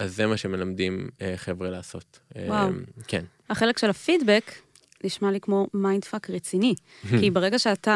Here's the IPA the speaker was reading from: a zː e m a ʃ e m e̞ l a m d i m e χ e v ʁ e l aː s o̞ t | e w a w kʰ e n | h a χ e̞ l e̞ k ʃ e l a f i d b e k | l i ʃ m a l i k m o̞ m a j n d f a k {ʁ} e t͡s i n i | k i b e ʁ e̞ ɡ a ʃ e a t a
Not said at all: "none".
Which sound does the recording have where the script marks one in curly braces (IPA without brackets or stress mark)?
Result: ʁ